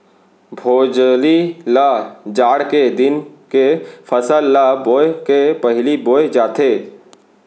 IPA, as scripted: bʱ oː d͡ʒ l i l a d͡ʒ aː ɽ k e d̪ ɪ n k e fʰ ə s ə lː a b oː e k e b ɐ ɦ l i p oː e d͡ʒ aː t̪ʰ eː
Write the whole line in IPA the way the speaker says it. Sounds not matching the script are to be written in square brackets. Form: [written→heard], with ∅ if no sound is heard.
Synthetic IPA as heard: bʱ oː d͡ʒ l i l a d͡ʒ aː ɽ k e d̪ ɪ n k e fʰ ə s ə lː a b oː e k e [b→p] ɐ ɦ l i [p→b] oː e d͡ʒ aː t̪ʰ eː